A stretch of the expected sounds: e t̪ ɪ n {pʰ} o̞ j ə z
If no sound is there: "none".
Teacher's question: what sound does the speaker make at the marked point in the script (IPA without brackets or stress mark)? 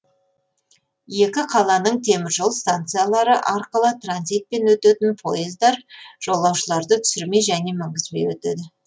pʰ